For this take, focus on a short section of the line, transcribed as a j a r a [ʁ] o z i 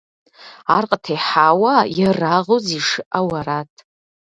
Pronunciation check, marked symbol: correct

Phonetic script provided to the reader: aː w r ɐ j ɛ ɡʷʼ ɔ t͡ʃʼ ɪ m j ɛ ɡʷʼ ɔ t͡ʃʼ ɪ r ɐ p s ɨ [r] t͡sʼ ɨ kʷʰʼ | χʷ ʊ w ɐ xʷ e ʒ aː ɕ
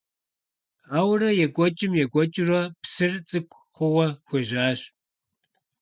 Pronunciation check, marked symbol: correct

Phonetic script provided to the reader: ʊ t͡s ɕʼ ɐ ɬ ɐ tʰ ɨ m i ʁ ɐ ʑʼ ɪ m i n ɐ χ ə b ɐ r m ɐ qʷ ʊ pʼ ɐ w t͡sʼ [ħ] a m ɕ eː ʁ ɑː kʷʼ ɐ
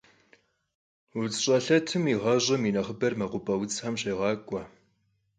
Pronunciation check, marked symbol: correct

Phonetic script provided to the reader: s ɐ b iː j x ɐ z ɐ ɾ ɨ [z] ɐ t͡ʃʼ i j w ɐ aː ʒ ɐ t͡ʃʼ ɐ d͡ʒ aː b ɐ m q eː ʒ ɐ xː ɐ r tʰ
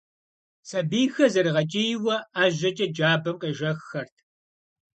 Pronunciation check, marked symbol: incorrect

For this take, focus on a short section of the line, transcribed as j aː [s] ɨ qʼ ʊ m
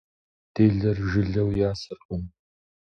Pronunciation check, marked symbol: correct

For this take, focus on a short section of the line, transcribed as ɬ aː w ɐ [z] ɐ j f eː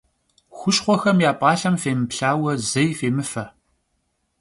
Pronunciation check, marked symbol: correct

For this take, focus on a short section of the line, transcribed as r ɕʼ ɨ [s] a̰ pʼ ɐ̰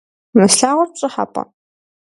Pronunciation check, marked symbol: incorrect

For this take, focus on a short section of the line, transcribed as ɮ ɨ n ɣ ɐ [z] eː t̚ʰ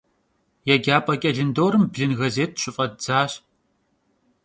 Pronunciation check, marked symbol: correct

